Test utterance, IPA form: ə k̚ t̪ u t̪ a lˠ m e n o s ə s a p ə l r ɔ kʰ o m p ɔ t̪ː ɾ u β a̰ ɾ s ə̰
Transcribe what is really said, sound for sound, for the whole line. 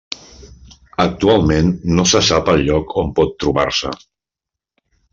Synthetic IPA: ə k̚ t̪ u a lˠ m e nː o s ə s a p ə l ʎ ɔ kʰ o m p ɔ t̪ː ɾ u β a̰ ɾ s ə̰